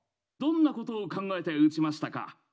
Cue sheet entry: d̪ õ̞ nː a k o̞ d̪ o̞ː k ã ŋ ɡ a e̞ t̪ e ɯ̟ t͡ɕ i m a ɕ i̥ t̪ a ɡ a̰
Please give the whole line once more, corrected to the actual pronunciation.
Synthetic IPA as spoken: d̪ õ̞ nː a k o̞ t̪ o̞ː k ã ŋ ɡ a e̞ t̪ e ɯ̟ t͡ɕ i m a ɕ i̥ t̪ a k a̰

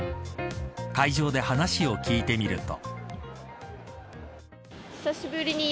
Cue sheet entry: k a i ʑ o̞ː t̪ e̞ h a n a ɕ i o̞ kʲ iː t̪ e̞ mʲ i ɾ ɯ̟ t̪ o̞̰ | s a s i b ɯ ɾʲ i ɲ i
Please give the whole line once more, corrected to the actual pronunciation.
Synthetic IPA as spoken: k a i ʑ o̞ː d̪ e̞ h a n a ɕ i o̞ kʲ iː t̪ e̞ mʲ i ɾ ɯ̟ t̪ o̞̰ | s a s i b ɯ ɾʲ i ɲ i

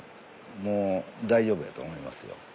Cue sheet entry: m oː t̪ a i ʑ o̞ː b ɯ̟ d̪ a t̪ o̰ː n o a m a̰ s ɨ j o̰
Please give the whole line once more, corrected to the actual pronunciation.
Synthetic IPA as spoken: m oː d̪ a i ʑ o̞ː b ɯ̟ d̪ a t̪ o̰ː m o i m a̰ s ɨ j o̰

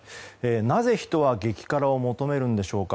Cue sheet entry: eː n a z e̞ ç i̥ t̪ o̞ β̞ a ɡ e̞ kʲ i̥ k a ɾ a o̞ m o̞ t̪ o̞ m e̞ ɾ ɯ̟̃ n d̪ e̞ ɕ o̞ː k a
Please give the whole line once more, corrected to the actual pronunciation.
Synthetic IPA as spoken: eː n a z e̞ ç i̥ t̪ o̞ β̞ a ɡ e̞ kʲ i̥ k a ɾ a o̞ m o̞ t̪ o̞ m e̞ ɾ ɯ̟̃ n d̪ e̞ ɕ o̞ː k a

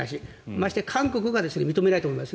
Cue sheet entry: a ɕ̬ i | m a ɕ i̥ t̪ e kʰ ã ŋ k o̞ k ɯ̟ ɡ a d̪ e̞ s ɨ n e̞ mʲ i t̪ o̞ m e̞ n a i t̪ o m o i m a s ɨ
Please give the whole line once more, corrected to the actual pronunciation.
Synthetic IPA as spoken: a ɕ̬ i | m a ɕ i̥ t̪ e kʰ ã ŋ k o̞ k ɯ̟ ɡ a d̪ e̞ s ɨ n e̞ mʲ i t̪ o̞ m e̞ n a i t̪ o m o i m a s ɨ

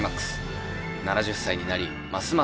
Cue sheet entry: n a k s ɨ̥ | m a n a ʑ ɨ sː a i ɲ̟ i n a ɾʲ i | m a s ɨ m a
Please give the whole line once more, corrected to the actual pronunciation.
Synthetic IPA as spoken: m a k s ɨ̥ | n a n a ʑ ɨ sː a i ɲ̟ i n a ɾʲ i | m a s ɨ m a

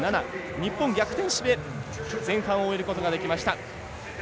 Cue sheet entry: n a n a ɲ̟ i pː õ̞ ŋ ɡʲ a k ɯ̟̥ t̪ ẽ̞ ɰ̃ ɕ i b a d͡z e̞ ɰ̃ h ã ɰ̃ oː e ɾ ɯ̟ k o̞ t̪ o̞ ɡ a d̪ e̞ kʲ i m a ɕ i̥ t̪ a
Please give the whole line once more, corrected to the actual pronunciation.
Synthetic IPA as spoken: n a n a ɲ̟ i pː õ̞ ŋ ɡʲ a k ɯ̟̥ t̪ ẽ̞ ɰ̃ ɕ i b e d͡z ẽ̞ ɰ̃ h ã ɰ̃ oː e ɾ ɯ̟ k o̞ t̪ o̞ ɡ a d̪ e̞ kʲ i m a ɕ i̥ t̪ a

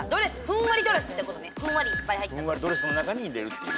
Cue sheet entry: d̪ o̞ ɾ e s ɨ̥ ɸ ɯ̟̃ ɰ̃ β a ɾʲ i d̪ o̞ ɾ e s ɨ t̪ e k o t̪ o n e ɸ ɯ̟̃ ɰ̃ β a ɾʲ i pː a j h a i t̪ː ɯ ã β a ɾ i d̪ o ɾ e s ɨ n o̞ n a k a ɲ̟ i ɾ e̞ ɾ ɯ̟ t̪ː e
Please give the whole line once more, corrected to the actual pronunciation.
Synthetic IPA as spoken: d̪ o̞ ɾ e s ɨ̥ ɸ ɯ̟̃ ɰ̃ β a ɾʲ i d̪ o̞ ɾ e s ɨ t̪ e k o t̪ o n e ɸ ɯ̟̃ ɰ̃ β a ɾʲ i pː a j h a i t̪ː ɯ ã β a ɾ i d̪ o ɾ e s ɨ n o̞ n a k a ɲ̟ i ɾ e̞ ɾ ɯ̟ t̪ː e

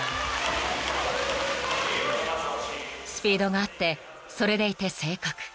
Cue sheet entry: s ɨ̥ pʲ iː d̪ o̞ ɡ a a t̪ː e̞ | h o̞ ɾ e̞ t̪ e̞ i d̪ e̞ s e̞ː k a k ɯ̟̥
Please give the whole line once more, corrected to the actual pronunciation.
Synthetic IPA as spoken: s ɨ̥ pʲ iː d̪ o̞ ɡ a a t̪ː e̞ | s o̞ ɾ e̞ d̪ e̞ i t̪ e̞ s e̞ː k a k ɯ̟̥

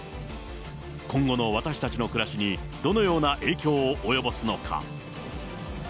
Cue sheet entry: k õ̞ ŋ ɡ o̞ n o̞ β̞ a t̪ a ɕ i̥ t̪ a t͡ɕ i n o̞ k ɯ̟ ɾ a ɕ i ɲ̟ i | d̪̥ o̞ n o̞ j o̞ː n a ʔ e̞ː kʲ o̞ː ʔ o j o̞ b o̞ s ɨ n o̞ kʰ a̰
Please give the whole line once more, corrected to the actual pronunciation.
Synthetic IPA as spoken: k õ̞ ŋ ɡ o̞ n o̞ β̞ a t̪ a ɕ i̥ t̪ a t͡ɕ i n o̞ k ɯ̟ ɾ a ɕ i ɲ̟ i | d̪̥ o̞ n o̞ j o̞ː n a ʔ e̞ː kʲ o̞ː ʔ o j o̞ b o̞ s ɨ n o̞ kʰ a̰

